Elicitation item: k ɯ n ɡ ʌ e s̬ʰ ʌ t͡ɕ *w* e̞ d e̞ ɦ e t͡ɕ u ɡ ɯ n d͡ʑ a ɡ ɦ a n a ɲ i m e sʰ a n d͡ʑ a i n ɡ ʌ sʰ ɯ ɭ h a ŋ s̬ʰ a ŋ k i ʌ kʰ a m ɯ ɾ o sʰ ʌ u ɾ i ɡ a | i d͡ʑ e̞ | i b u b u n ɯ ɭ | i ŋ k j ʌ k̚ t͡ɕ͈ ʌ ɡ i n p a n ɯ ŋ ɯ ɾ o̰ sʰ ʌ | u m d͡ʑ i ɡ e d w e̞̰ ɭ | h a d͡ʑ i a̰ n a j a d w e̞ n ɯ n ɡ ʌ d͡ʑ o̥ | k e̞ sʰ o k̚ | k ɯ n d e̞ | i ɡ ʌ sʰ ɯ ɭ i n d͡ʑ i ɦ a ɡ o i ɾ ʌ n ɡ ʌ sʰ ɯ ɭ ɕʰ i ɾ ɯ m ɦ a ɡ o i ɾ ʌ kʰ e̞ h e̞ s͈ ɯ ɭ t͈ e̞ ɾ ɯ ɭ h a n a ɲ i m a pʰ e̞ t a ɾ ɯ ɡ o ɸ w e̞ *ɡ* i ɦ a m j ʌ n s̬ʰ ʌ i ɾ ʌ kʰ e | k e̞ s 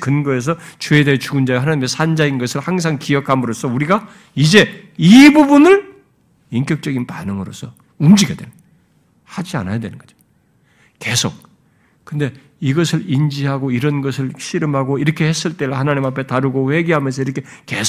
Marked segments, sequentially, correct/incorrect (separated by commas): incorrect, correct